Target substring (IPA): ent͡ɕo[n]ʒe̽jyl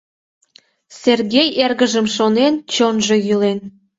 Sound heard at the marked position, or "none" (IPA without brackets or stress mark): n